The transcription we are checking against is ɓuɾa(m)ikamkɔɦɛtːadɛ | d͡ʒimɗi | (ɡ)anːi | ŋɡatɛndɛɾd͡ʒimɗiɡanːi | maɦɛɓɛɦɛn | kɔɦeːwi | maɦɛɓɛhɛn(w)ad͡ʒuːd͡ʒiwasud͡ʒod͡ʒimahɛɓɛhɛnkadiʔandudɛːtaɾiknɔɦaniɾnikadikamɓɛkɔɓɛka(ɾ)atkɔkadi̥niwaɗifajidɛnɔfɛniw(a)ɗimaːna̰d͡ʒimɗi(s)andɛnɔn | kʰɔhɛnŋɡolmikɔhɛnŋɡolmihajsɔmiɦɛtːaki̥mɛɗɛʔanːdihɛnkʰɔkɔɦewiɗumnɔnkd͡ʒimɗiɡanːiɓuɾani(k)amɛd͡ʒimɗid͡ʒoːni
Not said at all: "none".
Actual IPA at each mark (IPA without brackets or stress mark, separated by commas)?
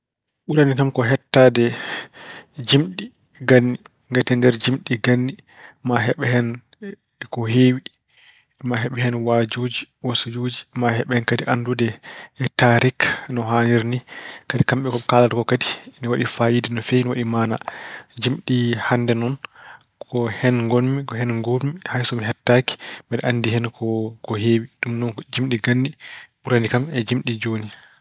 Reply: n, ɡ, w, l, a, h, k